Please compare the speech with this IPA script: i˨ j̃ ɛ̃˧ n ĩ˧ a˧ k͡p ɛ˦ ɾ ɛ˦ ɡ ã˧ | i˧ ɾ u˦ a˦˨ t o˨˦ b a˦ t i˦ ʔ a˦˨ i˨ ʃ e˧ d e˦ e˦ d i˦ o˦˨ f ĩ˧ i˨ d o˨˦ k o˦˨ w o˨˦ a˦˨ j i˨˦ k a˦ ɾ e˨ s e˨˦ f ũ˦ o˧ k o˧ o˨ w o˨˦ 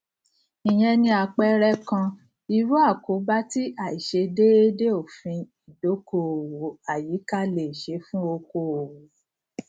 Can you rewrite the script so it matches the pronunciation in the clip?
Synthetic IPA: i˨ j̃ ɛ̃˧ n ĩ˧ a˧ k͡p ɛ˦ ɾ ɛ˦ k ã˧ | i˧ ɾ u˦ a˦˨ k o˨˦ b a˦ t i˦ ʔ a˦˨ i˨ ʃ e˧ d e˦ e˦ d e˦ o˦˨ f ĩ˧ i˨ d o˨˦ k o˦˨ w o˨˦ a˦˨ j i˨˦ k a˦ l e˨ ʃ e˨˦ f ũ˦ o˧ k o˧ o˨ w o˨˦